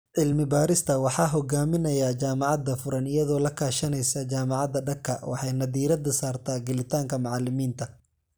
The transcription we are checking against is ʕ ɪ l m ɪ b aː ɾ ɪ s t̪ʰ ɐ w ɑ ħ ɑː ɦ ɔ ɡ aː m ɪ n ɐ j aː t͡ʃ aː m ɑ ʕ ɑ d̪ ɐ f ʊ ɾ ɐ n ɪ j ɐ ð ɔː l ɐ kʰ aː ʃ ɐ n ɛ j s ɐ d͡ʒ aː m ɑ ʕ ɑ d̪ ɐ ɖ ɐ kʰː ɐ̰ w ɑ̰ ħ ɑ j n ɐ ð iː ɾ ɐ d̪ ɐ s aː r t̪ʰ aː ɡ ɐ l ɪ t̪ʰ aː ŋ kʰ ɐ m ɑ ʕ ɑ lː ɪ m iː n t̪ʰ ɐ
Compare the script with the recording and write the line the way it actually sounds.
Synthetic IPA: ʕ ɪ l m ɪ b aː ɾ ɪ s t̪ʰ ɐ w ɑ ħ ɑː ɦ ɔ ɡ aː m ɪ n ɐ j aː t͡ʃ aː m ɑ ʕ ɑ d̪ ɐ f ʊ ɾ ɐ n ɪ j ɐ ð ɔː l ɐ kʰ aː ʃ ɐ n ɛ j s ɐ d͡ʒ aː m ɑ ʕ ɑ d̪ ɐ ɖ ɐ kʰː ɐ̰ w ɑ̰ ħ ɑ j n ɐ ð iː ɾ ɐ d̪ ɐ s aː r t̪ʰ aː ɡ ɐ l ɪ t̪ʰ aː ŋ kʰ ɐ m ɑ ʕ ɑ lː ɪ m iː n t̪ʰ ɐ